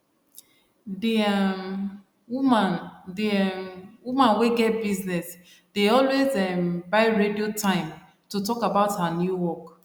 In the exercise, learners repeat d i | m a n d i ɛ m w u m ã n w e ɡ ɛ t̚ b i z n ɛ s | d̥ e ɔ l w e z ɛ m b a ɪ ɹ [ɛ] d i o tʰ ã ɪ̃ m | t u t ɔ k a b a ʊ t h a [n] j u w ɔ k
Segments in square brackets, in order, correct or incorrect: incorrect, correct

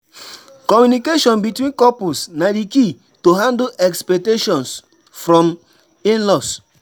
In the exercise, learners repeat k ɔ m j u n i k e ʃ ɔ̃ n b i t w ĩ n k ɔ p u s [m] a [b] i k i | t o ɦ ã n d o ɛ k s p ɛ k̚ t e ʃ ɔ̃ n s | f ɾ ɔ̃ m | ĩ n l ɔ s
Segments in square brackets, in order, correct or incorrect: incorrect, incorrect

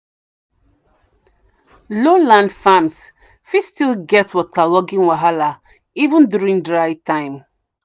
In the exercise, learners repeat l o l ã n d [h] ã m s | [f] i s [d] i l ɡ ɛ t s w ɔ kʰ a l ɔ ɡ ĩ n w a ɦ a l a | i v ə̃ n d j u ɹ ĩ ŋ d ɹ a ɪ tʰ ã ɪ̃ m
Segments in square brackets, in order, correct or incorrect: incorrect, correct, incorrect

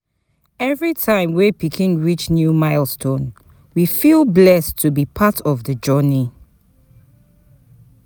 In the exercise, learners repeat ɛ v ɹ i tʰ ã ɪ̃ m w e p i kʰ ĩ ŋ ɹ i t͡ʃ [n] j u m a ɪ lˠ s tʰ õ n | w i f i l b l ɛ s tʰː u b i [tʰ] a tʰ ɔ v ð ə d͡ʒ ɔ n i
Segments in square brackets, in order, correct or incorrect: correct, incorrect

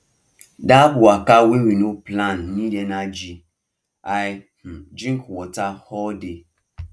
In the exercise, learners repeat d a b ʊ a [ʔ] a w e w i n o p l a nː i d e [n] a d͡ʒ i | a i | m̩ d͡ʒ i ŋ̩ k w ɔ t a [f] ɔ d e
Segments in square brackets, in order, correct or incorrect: incorrect, correct, incorrect

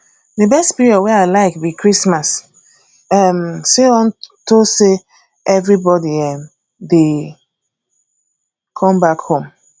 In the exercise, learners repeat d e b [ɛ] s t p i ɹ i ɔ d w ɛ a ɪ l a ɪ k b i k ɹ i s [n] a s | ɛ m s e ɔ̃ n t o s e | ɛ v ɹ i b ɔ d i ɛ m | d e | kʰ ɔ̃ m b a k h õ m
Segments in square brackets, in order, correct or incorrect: correct, incorrect

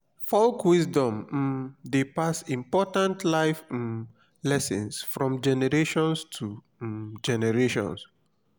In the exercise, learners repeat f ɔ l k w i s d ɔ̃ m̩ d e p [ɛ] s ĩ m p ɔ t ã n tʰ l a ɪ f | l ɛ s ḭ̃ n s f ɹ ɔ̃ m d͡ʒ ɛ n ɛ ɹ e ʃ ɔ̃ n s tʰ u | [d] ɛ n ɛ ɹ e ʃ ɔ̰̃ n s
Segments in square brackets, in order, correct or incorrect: incorrect, incorrect

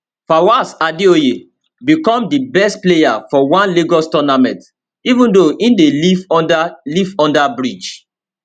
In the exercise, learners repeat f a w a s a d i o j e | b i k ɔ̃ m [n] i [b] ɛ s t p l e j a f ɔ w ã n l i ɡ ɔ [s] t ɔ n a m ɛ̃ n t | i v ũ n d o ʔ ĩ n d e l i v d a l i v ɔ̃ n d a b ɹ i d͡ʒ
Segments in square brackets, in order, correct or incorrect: incorrect, correct, correct

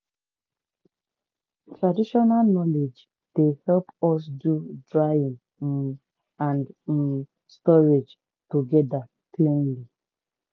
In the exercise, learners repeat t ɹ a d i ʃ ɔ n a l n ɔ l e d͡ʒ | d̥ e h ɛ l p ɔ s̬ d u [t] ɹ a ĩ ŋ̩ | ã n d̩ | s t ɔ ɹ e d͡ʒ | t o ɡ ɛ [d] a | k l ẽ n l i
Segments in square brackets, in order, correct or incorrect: incorrect, correct

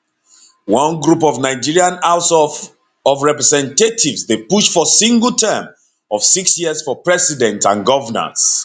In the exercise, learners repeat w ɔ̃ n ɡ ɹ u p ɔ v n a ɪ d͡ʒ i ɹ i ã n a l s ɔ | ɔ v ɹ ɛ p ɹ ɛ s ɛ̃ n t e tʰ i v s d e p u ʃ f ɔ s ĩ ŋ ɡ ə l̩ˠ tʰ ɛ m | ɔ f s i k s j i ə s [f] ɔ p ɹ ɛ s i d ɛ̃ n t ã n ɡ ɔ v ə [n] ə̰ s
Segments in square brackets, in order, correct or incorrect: correct, correct

